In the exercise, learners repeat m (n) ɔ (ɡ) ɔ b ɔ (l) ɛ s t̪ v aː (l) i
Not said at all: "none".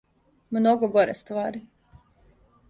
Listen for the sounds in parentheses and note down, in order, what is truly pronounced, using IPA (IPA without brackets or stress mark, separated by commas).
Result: n, ɡ, ɾ, ɾ